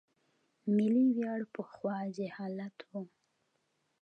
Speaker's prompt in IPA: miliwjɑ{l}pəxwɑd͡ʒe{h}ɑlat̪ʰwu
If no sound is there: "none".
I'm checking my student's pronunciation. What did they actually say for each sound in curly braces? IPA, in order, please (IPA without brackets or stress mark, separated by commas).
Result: ɽ, h